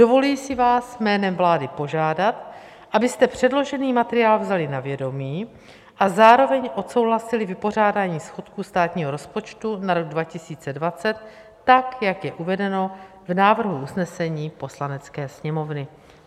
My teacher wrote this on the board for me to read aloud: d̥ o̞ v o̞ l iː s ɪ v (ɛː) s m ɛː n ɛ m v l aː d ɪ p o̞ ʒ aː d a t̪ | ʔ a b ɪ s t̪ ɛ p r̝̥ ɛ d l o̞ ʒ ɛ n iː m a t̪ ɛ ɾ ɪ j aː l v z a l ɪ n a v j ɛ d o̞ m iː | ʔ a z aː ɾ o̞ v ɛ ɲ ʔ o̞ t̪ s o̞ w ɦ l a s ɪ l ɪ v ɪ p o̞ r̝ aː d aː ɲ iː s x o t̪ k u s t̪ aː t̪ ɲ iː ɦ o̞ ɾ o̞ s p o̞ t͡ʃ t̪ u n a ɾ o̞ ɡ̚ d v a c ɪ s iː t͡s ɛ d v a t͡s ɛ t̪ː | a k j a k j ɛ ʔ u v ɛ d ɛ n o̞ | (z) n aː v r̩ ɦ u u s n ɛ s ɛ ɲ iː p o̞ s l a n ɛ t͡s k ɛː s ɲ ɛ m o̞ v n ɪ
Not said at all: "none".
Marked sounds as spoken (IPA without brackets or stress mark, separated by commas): aː, v